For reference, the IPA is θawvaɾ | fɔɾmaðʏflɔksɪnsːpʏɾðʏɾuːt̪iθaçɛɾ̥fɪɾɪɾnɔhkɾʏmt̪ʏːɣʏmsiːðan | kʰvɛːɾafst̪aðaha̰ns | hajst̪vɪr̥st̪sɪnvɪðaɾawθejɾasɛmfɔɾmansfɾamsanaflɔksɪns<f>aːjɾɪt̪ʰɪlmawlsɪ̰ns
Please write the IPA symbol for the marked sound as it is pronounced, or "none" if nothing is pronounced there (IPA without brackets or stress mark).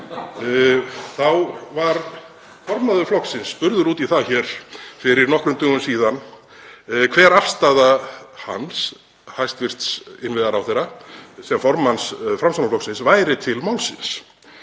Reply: v